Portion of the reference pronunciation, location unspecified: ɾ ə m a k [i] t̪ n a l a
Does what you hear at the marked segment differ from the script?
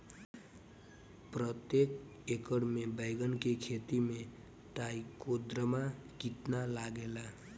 no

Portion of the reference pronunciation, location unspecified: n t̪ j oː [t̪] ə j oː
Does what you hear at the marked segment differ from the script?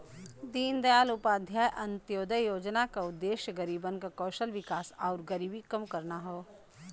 yes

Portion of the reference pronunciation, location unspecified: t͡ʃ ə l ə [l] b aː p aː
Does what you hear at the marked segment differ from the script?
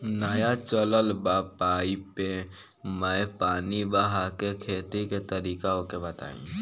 no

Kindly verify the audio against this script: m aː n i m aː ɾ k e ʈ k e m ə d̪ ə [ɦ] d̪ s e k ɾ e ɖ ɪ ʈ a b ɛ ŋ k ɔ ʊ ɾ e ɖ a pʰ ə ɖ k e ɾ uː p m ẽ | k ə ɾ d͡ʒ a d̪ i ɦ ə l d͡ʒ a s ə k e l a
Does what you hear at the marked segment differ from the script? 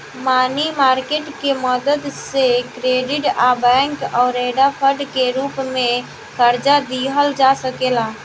yes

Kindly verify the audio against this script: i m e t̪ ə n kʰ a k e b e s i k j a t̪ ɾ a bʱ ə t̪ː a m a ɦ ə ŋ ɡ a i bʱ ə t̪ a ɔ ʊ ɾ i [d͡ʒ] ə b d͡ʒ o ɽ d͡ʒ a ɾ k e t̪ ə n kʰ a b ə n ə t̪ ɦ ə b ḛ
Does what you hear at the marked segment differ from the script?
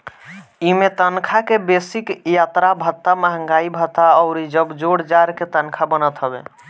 no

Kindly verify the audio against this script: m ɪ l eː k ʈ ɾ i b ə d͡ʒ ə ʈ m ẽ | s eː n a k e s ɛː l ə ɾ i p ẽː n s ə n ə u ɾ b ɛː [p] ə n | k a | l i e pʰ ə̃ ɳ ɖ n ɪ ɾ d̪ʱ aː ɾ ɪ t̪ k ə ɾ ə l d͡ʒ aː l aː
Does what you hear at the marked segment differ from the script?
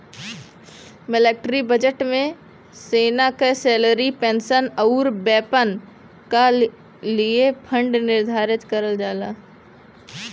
no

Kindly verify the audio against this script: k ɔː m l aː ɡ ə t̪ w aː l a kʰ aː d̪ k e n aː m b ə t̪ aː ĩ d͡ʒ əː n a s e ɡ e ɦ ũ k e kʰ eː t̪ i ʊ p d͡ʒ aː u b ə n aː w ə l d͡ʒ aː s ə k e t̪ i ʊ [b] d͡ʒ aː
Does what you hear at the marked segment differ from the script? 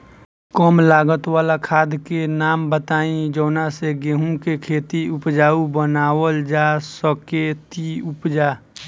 yes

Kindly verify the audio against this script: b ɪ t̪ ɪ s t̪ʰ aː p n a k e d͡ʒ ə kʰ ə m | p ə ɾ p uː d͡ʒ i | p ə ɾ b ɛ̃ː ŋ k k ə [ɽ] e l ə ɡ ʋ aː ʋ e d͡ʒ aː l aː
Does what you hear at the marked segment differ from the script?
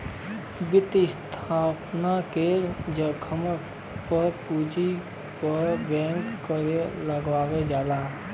yes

